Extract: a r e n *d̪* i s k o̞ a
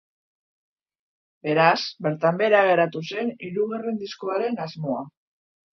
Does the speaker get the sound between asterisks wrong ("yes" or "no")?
no